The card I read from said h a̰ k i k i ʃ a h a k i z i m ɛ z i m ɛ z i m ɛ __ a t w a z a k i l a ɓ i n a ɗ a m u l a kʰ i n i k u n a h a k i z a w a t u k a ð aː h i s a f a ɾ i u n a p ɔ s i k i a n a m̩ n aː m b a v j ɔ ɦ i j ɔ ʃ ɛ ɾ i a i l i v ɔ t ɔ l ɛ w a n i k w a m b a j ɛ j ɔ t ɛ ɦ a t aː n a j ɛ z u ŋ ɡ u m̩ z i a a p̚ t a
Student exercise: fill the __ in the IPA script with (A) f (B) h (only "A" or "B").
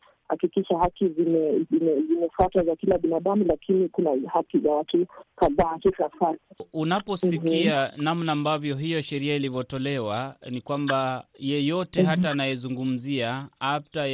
A